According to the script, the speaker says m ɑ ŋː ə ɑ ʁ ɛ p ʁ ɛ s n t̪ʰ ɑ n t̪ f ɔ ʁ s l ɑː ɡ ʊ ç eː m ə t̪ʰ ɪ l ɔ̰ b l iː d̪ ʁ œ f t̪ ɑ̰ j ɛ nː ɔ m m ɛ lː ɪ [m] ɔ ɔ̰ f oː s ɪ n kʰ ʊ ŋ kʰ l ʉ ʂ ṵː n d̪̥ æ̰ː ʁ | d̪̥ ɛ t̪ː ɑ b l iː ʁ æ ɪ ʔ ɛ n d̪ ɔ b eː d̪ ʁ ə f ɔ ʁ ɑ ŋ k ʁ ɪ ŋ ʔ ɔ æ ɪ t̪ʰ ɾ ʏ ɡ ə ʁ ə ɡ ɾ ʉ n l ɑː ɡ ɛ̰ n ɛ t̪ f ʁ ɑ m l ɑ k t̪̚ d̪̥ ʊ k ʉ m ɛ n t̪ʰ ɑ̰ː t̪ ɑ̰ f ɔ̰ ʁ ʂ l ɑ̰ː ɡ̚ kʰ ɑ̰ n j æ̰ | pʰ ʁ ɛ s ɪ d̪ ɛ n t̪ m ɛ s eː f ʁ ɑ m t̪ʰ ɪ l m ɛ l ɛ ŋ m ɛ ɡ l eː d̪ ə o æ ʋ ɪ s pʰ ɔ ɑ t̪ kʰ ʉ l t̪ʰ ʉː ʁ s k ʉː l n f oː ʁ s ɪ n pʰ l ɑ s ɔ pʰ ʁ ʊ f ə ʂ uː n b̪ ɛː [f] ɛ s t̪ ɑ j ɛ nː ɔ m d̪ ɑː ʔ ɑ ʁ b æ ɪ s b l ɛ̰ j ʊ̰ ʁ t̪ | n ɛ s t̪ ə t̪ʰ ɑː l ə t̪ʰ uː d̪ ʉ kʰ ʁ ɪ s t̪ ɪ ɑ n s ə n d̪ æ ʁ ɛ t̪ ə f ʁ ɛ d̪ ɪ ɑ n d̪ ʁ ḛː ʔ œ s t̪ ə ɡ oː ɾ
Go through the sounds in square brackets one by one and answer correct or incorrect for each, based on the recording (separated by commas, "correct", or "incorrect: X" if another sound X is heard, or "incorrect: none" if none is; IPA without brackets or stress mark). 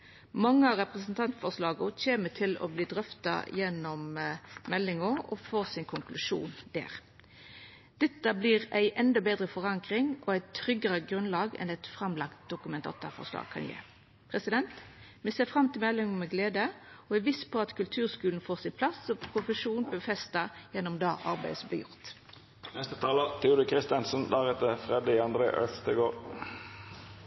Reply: incorrect: ŋ, correct